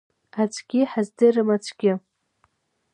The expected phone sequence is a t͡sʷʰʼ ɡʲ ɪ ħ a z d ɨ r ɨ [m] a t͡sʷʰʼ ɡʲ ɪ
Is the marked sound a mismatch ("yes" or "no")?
no